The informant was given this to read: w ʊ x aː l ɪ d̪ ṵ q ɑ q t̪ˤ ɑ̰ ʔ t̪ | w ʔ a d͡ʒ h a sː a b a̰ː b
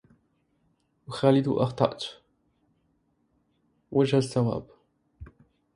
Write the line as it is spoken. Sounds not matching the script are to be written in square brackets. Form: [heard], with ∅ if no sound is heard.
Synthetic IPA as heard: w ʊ x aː l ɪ d̪ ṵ [ʔ] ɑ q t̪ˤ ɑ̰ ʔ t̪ | w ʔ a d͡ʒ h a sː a [w] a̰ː b